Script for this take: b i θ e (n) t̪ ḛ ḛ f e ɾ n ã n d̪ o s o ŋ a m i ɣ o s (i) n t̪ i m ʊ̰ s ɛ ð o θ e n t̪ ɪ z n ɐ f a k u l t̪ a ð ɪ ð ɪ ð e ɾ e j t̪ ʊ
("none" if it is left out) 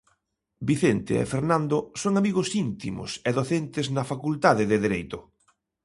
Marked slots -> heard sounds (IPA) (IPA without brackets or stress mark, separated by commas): n, i